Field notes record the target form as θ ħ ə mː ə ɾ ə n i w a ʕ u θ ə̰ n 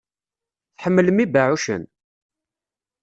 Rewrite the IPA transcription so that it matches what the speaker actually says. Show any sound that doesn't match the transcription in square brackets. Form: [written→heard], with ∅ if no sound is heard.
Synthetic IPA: θ ħ ə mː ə [ɾ→l] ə [n→m] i [w→b] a ʕ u [θ→ʃ] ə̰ n